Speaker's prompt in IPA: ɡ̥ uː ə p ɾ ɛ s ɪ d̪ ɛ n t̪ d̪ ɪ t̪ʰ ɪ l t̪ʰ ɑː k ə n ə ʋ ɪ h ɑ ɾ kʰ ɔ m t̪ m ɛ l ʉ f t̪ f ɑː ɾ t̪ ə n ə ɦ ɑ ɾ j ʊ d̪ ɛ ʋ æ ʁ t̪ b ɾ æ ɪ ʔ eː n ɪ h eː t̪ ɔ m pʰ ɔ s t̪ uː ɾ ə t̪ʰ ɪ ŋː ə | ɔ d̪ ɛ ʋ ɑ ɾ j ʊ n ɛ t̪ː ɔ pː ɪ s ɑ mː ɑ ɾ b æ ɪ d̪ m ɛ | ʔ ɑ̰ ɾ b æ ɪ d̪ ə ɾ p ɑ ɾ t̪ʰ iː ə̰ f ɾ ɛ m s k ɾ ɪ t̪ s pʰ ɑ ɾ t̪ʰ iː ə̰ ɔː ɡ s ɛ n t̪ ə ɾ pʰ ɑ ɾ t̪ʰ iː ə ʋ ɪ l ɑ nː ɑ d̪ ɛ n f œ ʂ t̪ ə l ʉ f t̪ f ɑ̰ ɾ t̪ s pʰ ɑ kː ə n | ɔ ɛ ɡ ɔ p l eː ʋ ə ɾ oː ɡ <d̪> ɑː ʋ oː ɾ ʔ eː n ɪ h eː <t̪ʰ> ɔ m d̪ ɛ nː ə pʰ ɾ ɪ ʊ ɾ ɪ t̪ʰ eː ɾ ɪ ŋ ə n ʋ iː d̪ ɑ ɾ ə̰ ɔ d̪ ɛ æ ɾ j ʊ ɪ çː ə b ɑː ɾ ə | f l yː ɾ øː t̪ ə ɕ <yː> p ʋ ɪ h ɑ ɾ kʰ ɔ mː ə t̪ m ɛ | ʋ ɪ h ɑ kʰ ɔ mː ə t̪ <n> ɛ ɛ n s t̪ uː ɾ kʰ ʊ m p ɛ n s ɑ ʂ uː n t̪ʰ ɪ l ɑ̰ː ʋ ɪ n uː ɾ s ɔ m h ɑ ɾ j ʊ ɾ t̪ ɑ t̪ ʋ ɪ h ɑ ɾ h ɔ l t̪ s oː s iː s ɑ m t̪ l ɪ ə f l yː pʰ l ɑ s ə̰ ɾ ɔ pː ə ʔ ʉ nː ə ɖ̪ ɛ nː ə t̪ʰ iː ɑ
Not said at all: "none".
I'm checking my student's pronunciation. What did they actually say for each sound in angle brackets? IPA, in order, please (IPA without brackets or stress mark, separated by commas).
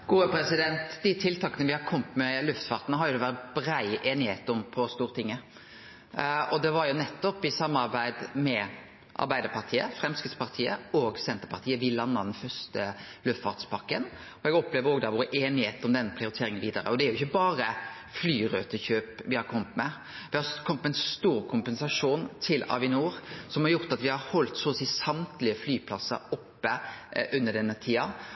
d̪, t̪, øː, m